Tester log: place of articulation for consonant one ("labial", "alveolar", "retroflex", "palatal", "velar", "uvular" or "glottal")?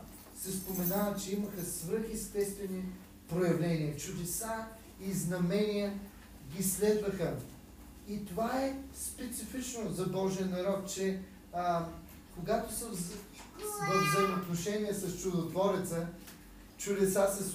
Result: alveolar